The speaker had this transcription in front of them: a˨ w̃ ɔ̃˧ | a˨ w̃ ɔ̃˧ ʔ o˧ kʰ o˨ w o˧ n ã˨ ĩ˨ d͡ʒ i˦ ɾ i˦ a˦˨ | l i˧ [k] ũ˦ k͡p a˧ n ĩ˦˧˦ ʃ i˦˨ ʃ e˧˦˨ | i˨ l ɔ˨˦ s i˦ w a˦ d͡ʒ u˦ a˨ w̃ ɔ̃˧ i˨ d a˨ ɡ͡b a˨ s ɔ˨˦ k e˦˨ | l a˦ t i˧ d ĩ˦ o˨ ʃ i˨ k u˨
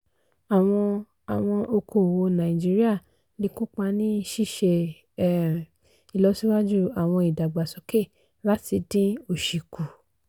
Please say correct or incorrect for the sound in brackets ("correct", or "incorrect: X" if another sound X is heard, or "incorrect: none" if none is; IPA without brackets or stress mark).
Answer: correct